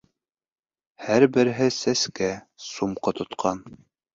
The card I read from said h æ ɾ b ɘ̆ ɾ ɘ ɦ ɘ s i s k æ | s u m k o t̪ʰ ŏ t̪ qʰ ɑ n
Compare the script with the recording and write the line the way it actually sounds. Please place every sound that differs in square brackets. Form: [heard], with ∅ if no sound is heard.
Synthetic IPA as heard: h æ ɾ b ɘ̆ ɾ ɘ ɦ ɘ s [æ] s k æ | s u m [q] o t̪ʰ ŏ t̪ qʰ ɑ n